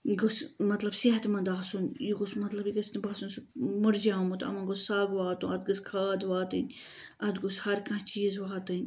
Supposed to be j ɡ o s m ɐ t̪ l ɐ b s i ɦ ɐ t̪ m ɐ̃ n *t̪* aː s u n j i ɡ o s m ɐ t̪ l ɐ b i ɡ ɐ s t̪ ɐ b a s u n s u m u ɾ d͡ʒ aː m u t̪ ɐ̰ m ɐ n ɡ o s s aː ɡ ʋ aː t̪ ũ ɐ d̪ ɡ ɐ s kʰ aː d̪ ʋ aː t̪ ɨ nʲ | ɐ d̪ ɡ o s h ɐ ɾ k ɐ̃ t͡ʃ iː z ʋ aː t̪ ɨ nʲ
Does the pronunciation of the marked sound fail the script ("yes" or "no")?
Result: yes